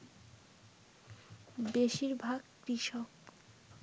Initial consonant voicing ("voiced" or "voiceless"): voiced